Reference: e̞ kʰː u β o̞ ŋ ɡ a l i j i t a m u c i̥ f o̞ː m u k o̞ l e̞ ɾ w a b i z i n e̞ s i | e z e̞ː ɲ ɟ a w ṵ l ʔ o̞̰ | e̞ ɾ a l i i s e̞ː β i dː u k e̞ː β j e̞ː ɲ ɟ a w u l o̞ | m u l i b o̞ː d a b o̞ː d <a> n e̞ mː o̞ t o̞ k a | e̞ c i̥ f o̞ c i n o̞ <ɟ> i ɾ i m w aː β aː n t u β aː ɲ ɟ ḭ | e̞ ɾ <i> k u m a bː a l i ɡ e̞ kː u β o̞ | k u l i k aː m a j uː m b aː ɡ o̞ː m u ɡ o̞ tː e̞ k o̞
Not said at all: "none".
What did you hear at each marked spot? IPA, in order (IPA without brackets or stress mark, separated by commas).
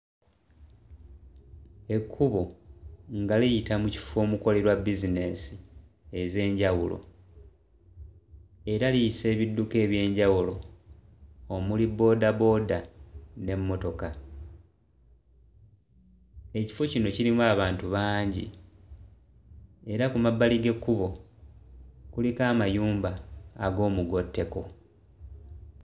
a, c, a